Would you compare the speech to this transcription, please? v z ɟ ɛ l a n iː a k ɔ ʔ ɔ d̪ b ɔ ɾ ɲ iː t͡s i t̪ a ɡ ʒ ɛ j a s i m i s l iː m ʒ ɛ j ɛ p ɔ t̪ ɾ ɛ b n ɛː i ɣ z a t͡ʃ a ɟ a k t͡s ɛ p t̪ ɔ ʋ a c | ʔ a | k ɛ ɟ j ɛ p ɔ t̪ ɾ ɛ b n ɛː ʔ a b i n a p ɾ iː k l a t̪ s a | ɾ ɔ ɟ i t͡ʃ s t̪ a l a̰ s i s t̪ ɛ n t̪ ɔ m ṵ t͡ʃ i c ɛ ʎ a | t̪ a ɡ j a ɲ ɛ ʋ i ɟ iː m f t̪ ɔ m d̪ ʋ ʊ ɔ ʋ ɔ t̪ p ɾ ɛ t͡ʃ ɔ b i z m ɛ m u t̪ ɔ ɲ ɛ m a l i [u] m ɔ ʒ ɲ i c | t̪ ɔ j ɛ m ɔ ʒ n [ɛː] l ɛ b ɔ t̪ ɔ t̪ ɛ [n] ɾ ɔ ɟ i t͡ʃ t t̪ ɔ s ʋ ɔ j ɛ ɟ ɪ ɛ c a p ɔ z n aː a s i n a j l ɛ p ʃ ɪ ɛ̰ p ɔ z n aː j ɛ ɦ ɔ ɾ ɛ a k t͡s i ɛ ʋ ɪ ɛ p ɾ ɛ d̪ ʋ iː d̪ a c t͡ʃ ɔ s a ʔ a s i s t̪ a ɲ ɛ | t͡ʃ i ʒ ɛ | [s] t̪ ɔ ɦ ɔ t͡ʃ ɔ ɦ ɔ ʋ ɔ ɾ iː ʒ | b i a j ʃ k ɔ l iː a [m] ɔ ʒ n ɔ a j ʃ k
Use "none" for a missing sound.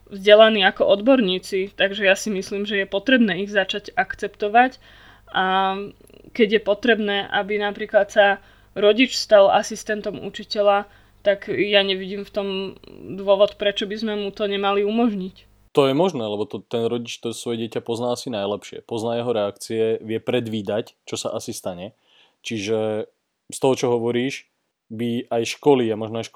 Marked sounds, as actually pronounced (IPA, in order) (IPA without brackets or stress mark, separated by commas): u, ɛː, n, s, m